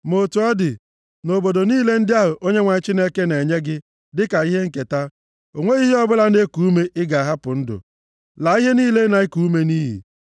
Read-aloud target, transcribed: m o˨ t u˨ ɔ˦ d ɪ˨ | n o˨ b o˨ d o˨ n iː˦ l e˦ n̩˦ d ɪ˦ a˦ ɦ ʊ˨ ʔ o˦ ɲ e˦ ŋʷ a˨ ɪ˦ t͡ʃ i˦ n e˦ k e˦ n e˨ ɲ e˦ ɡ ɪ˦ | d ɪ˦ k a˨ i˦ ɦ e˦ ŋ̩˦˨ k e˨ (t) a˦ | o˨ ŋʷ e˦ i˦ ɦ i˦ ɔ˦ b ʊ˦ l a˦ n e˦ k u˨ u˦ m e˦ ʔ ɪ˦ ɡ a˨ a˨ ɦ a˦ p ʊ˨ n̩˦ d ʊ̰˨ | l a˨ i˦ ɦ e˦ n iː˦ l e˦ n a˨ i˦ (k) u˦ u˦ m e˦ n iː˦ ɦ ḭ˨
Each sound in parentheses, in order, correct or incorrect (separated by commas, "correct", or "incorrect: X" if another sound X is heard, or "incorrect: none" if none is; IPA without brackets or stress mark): correct, correct